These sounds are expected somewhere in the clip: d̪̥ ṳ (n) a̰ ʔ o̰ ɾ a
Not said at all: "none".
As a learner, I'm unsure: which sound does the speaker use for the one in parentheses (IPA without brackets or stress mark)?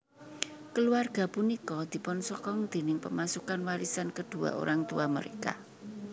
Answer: none